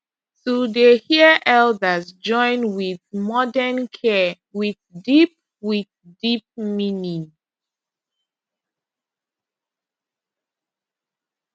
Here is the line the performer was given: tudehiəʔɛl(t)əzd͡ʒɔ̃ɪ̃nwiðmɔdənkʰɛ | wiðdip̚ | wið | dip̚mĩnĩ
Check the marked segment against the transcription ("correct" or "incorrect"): incorrect